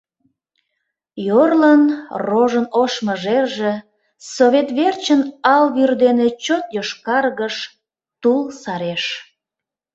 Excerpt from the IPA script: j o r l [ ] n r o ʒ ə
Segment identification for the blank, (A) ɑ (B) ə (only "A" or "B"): B